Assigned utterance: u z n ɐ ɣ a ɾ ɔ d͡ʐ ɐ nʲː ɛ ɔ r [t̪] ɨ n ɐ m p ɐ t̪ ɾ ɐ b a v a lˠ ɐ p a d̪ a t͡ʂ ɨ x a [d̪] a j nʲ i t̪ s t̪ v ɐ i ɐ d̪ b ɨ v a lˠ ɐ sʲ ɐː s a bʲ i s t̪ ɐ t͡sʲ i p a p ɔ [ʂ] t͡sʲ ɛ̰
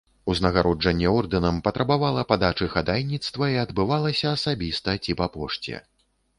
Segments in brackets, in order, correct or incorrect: incorrect, correct, correct

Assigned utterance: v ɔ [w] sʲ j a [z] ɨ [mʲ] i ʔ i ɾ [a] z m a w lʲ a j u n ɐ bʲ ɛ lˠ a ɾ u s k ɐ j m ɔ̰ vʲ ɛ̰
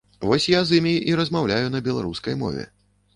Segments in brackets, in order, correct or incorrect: incorrect, correct, correct, incorrect

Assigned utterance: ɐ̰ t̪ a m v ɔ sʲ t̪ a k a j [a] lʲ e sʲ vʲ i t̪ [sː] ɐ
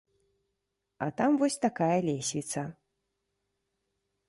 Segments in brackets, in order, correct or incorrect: incorrect, incorrect

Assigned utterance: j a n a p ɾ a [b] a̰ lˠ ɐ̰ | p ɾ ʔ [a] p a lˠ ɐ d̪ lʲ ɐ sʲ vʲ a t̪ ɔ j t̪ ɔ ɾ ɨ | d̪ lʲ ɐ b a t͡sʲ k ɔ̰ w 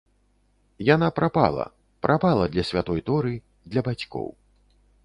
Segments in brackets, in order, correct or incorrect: incorrect, correct

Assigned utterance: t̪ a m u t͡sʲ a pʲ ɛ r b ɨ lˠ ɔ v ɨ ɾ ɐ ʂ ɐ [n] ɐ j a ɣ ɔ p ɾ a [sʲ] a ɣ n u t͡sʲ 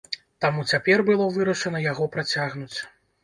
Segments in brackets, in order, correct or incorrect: correct, incorrect

